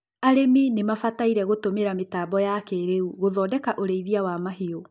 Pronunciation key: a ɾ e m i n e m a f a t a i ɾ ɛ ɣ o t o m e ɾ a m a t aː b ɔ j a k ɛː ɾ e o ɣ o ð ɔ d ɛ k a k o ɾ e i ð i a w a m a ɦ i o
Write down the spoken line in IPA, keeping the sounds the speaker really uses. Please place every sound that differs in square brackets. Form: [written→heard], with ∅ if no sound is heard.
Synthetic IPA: a ɾ e m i n e m a f a t a i ɾ ɛ ɣ o t o m e ɾ a m [a→e] t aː b ɔ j a k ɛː ɾ e [o→u] ɣ o ð ɔ d ɛ k a [k→ʔ] o ɾ e i ð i a w a m a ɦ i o